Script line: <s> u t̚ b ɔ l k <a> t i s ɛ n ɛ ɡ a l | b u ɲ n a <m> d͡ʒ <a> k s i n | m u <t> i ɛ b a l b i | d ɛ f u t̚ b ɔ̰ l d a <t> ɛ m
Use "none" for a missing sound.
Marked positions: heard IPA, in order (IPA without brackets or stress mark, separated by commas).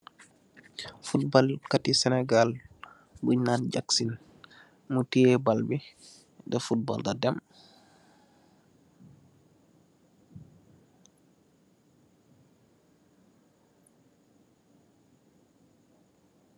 f, a, n, a, t, d